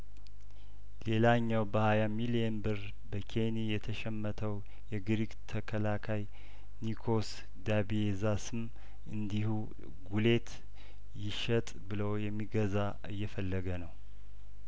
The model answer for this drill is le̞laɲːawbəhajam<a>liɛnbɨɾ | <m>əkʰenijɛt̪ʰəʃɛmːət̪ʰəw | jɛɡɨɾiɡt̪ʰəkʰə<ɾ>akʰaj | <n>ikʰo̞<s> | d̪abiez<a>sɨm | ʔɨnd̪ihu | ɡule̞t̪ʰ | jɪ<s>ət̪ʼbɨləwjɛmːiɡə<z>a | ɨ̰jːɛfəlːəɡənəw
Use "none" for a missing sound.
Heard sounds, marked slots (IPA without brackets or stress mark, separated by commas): i, b, l, n, s, a, ʃ, z